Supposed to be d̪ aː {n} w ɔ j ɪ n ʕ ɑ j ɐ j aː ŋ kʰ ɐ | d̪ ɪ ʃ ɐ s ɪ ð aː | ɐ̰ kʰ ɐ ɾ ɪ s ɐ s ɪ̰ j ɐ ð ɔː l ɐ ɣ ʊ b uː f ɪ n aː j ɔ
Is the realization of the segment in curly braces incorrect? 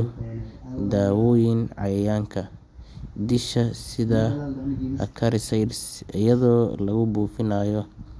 yes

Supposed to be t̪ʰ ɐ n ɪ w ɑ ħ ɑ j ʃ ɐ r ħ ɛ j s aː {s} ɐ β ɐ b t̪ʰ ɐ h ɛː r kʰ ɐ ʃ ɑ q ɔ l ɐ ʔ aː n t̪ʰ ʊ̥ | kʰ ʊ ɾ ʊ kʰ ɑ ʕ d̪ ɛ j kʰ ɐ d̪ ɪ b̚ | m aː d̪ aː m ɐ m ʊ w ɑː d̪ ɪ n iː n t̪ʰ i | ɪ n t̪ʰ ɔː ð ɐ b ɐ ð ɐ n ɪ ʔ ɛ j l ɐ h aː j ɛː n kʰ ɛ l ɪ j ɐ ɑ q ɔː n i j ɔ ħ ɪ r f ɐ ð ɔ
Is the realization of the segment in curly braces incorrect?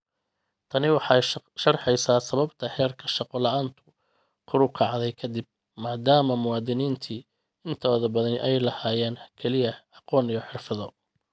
no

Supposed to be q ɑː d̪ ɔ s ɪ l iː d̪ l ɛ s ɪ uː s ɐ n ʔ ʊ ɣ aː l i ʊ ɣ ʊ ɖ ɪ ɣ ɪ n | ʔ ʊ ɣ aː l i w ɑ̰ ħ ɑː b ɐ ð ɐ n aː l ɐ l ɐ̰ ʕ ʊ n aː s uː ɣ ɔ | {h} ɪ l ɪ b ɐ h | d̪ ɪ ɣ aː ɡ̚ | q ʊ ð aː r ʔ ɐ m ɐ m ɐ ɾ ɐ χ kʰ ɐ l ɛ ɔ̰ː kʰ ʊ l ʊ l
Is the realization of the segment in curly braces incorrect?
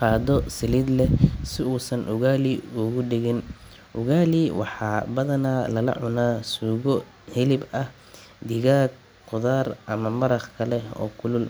no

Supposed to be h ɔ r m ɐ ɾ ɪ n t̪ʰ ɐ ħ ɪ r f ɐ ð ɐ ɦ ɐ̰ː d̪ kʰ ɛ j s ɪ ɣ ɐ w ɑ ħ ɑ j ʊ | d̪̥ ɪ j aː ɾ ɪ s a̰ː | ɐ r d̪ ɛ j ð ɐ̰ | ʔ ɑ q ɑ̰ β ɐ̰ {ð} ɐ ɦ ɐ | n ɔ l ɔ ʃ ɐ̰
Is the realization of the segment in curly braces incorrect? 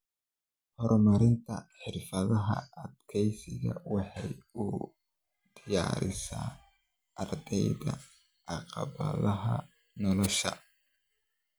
no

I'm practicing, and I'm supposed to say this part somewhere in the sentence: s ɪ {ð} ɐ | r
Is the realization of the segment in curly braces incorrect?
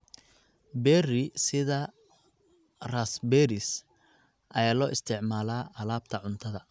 no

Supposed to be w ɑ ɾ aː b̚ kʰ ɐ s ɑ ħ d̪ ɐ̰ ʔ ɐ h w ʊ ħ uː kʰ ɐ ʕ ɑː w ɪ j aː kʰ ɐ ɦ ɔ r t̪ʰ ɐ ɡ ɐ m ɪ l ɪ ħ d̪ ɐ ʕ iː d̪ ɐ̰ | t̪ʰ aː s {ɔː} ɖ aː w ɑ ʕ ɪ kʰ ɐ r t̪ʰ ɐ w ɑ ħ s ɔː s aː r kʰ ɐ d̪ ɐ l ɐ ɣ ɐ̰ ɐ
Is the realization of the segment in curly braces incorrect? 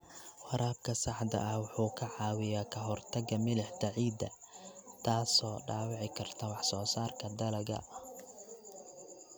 no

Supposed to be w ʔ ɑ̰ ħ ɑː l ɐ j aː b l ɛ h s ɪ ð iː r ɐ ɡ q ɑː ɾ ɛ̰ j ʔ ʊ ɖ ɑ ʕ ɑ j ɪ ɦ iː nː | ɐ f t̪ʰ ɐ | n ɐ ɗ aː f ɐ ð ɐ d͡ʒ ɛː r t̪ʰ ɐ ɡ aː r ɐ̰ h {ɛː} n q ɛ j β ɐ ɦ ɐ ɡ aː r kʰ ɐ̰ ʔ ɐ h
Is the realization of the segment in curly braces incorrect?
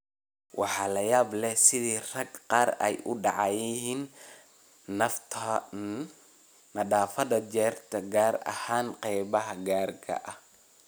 yes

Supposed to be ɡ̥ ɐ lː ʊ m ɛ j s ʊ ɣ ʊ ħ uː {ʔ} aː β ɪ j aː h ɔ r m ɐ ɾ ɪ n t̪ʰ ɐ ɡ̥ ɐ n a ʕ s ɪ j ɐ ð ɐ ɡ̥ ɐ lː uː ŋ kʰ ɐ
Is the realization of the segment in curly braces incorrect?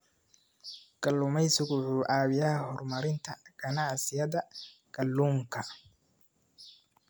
no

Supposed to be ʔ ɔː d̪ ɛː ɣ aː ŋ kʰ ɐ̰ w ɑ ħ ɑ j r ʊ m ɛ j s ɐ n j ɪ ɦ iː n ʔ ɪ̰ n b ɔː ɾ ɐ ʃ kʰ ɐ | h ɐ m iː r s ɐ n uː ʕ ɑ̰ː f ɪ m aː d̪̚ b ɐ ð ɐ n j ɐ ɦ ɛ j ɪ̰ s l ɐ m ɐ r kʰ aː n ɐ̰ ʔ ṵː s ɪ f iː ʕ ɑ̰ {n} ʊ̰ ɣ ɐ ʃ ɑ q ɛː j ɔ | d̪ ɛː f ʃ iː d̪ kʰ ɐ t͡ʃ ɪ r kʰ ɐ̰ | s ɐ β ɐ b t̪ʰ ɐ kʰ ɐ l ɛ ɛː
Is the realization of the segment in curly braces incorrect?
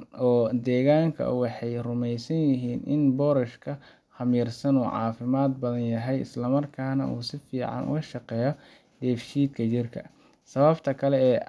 no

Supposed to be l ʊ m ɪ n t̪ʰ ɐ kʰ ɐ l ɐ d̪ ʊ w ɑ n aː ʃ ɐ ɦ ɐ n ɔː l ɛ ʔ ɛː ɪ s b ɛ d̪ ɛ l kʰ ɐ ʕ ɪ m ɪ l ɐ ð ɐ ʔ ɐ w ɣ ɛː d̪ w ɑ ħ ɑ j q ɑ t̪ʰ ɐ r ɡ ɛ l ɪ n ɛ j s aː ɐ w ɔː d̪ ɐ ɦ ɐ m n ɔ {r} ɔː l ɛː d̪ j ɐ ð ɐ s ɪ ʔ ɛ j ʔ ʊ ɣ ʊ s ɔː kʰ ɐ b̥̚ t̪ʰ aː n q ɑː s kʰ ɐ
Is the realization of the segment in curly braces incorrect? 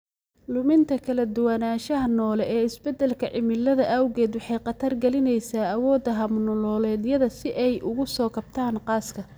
yes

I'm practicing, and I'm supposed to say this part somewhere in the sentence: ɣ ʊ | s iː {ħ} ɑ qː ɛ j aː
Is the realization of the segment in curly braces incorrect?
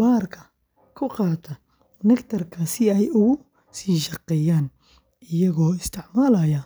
yes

